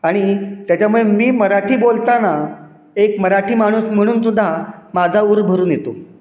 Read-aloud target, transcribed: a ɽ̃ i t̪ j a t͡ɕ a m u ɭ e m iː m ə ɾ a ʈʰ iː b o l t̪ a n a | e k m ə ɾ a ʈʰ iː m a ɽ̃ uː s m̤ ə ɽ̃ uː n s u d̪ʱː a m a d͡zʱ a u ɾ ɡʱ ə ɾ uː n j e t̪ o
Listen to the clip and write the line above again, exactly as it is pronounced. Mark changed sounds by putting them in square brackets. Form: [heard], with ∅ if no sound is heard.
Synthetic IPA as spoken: a ɽ̃ i t̪ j a t͡ɕ a m u ɭ e m iː m ə ɾ a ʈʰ iː b o l t̪ a n a | e k m ə ɾ a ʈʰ iː m a ɽ̃ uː s m̤ ə ɽ̃ uː n s u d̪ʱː a m a d͡zʱ a u ɾ [bʱ] ə ɾ uː n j e t̪ o